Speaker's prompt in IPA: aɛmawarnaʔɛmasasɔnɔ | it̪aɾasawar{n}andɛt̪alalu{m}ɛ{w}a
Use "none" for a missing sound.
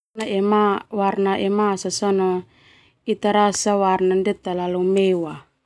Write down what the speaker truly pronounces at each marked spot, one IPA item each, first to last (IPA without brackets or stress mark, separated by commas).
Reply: n, m, w